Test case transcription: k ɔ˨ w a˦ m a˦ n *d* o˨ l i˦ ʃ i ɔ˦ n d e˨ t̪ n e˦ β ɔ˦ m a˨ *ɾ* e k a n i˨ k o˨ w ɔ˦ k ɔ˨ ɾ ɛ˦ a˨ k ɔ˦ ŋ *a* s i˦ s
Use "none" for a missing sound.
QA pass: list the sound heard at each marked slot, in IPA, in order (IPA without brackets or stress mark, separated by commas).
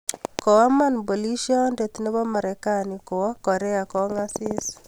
b, ɾ, a